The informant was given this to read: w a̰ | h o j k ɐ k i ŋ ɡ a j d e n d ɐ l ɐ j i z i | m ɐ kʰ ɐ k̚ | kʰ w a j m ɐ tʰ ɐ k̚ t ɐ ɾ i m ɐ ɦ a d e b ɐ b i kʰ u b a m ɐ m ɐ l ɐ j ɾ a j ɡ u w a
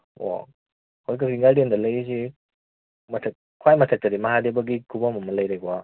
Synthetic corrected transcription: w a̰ | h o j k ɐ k i ŋ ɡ a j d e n d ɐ l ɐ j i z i | m ɐ tʰ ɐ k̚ | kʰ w a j m ɐ tʰ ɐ k̚ t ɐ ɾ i m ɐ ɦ a d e b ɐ ɡ i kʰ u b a m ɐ m ɐ l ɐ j ɾ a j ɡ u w a